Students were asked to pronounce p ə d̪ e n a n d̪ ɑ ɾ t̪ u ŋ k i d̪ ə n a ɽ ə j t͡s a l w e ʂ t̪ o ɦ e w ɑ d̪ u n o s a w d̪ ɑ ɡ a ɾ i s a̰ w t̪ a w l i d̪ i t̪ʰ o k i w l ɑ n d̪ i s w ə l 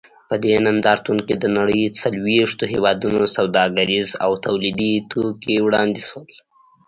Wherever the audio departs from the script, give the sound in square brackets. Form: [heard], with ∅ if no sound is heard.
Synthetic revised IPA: p ə d̪ e n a n d̪ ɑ ɾ t̪ u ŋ k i d̪ ə n a ɽ ə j t͡s a l w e ʂ t̪ o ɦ e w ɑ d̪ u n o s a w d̪ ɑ ɡ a ɾ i [z] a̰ w t̪ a w l i d̪ i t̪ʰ o k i w [ɽ] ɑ n d̪ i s w ə l